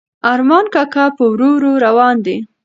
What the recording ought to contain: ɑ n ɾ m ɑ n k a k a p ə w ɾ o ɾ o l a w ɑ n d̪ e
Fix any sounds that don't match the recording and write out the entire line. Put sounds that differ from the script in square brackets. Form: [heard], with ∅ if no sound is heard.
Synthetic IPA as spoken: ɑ [∅] ɾ m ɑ n k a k a p ə w ɾ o ɾ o [ɾ] a w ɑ n d̪ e